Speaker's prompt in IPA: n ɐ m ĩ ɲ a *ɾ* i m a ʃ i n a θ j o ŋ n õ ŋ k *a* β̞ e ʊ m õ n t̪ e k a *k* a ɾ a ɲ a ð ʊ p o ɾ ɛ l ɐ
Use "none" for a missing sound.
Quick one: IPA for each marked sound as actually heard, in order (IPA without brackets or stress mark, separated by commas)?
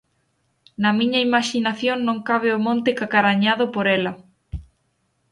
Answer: none, a, k